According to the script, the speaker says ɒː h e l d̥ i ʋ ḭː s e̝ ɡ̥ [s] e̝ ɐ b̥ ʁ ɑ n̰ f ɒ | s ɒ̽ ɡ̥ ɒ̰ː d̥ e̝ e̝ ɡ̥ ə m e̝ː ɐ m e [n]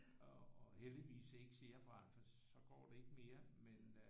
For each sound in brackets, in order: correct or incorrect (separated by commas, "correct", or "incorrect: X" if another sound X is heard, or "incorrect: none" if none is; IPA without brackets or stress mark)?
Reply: correct, correct